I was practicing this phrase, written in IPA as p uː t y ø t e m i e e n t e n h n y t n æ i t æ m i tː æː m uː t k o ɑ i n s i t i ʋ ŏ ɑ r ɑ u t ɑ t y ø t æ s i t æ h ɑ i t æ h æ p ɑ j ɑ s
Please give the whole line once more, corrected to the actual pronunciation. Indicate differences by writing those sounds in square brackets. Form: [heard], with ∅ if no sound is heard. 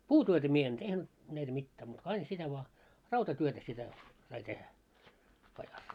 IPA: p uː t y ø t [æ] m i e e n t e [∅] h n y t n æ i t æ m i tː æː m uː t k o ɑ i n s i t [æ] ʋ ŏ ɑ r ɑ u t ɑ t y ø t æ s i t æ [s] ɑ i t [e] h æ p ɑ j ɑ s

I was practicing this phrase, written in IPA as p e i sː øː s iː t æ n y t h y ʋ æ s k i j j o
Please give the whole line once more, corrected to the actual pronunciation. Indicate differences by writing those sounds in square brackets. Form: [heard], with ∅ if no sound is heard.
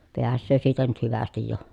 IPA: p e [æ] sː øː s iː t æ n y t h y ʋ æ s [t] i j j o

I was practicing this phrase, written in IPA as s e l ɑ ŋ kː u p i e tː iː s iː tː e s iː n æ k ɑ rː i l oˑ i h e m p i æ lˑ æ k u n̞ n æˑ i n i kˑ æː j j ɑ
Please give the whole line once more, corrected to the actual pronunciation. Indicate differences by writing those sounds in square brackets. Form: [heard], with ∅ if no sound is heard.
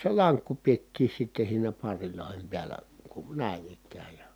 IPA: s e l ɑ ŋ kː u p i e tː iː s [i] tː e s iː n æ [p] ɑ rː i l oˑ i h e m p i æ lˑ æ k u n̞ n æˑ i n i kˑ æː j j ɑ

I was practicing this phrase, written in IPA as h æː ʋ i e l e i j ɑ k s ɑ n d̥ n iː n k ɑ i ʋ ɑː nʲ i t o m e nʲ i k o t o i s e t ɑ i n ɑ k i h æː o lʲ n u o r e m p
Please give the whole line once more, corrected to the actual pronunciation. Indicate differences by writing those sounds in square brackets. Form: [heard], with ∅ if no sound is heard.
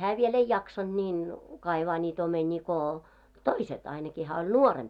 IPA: h æː ʋ i e l e i j ɑ k s ɑ n d̥ n iː n k ɑ i ʋ ɑː nʲ [iː] t o m e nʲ [iː] k o t o i s e t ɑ i n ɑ k i h æː o lʲ n u o r e m p

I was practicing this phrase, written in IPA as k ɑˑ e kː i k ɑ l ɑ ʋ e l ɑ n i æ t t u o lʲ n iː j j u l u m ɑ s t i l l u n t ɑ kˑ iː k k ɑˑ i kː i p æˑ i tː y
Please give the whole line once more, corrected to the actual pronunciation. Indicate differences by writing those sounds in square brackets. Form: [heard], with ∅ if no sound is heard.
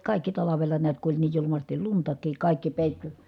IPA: k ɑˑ [i] kː i [t] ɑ l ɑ ʋ e l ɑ n i æ t [k] u o lʲ n iː j j u l u m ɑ s t i l l u n t ɑ kˑ iː k k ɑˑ i kː i p [eˑ] i tː y

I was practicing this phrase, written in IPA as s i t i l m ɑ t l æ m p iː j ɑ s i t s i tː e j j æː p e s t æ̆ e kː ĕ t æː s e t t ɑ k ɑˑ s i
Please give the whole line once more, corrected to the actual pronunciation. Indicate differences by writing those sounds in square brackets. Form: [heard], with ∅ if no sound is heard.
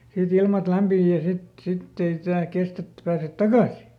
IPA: s i t i l m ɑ t l æ m p iː j ɑ s i t s i tː e [i] j æː [k] e s t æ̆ e [tː] ĕ [p] æː s e t t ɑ k ɑˑ s i

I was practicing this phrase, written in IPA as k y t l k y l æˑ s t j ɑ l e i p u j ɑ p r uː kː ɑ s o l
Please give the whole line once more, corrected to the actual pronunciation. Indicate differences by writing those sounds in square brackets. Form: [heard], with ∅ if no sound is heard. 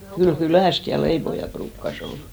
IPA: k y [∅] l k y l æˑ s t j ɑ l e i p [o] j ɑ p r uː kː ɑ s o l

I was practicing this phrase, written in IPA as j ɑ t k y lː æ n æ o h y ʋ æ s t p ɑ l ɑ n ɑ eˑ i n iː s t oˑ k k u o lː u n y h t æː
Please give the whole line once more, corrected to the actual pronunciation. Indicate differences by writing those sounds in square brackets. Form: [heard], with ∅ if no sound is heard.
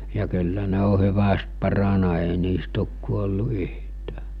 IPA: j ɑ [∅] k y lː æ n [e] o h y ʋ æ s t p ɑ [r] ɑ n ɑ eˑ i n iː s t oˑ k k u o lː u [∅] y h t æː

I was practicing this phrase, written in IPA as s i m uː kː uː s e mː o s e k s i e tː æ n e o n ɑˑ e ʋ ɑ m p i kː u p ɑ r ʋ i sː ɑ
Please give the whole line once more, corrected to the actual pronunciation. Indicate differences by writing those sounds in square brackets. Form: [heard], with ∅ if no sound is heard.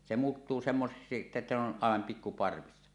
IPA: s [e] m uː [tː] uː s e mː o s e k s i e tː æ n e o n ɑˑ e ʋ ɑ m p i kː u p ɑ r ʋ i sː ɑ

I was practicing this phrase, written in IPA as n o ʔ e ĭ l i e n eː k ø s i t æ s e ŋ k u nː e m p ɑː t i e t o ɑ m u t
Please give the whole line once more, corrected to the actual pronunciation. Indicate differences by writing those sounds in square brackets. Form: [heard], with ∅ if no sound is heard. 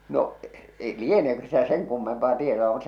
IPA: n o ʔ e ĭ l i e n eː k ø s i t æ s e ŋ k u [mː] e m p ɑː t i e t o ɑ m u t

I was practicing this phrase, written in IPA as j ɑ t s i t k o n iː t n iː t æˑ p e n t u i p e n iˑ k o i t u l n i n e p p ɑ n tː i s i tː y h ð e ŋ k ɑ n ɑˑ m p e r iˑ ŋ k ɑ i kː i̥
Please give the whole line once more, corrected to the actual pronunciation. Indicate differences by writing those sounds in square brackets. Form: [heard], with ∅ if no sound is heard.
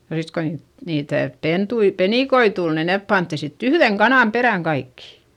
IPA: j ɑ [∅] s i t k o n iː t n iː t æˑ p e n t u i p e n iˑ k o i t u l n i n e p p ɑ n tː i s i tː y h ð e ŋ k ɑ n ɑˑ m p e r [æˑ] ŋ k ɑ i kː i̥

